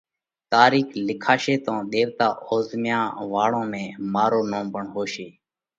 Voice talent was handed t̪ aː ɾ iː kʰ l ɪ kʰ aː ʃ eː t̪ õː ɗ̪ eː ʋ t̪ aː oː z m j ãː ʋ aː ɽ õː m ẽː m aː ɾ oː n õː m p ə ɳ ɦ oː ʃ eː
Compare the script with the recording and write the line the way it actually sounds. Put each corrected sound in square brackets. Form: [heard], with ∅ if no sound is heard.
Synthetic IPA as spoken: t̪ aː ɾ iː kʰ l ɪ kʰ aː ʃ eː t̪ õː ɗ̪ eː ʋ t̪ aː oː z m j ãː ʋ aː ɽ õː m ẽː m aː ɾ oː n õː m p ə ɳ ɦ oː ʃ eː